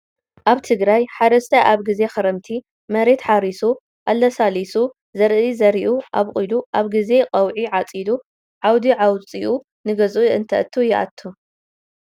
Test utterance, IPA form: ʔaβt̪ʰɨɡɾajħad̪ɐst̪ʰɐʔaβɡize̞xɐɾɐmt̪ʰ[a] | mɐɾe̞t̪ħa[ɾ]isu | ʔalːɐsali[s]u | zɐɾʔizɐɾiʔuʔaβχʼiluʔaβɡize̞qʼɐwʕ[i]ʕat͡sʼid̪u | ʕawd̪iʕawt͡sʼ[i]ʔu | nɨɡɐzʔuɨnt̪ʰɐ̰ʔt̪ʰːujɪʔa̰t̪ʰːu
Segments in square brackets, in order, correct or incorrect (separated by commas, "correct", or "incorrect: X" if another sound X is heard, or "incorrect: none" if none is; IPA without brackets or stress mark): incorrect: i, correct, correct, correct, correct